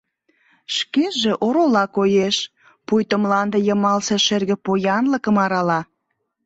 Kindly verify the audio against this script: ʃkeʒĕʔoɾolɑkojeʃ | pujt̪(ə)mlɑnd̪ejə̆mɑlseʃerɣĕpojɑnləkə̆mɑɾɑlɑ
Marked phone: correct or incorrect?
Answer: correct